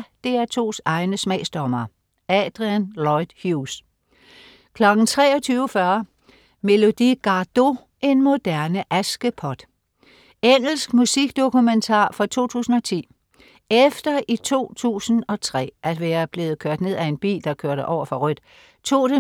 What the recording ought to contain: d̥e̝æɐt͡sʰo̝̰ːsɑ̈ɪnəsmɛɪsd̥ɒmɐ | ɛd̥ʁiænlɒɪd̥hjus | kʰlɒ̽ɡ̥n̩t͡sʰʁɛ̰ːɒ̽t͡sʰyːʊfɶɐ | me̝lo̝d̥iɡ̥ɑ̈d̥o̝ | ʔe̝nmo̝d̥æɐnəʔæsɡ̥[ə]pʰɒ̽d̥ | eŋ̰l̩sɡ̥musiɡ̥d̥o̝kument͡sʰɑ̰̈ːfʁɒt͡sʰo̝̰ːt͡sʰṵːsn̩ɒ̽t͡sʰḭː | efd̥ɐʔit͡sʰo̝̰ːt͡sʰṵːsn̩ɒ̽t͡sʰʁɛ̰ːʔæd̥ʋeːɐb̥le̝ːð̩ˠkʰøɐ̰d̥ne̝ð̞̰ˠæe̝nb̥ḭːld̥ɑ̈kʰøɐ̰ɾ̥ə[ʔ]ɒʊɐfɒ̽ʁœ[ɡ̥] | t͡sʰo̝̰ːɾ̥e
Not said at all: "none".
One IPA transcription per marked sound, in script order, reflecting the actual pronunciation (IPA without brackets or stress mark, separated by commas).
ə, ʔ, d̥